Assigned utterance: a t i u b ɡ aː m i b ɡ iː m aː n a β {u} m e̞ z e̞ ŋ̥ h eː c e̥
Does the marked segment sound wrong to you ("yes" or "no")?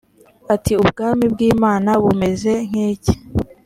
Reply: no